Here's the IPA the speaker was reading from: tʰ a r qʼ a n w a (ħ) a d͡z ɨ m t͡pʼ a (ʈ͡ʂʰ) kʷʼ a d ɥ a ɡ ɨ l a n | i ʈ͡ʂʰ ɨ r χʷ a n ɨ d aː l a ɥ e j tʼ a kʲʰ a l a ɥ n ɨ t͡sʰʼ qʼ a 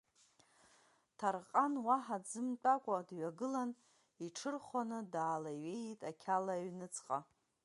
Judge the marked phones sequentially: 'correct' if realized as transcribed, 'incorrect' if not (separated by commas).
correct, incorrect